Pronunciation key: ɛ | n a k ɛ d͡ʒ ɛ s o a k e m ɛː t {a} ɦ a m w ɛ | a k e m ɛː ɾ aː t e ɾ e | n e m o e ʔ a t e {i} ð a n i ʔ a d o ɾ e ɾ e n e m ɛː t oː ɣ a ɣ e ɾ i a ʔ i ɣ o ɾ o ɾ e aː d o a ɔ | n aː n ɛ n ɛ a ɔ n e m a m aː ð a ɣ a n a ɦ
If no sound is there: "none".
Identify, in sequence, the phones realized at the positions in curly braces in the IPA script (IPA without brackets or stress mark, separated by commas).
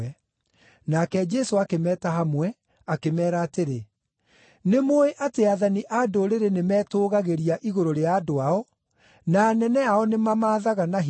a, a